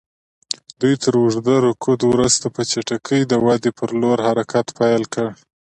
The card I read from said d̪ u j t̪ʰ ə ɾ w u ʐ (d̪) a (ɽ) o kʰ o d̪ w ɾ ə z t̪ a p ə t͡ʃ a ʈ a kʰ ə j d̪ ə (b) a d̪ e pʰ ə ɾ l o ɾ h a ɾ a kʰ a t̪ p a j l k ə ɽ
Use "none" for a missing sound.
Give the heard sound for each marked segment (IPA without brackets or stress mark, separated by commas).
d̪, ɾ, w